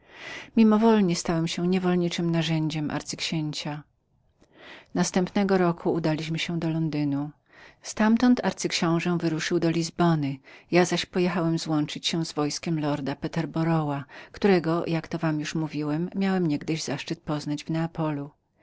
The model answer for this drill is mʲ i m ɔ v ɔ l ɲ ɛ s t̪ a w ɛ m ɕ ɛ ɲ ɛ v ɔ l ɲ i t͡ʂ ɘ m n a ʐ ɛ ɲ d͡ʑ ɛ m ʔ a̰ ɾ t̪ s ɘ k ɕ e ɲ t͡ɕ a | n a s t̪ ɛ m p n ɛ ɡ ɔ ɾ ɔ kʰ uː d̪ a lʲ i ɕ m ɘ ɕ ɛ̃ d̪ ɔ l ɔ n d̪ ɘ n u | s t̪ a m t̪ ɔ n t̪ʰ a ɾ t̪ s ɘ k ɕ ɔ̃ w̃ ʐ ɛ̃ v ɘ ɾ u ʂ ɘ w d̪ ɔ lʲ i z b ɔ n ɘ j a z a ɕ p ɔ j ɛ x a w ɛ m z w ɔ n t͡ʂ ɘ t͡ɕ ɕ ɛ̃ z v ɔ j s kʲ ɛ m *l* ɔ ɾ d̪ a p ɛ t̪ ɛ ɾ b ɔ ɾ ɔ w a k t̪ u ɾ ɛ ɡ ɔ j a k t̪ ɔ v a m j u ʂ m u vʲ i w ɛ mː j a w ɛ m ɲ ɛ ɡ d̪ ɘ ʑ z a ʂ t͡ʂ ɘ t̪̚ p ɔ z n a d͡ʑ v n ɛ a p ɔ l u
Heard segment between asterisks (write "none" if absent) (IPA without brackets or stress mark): l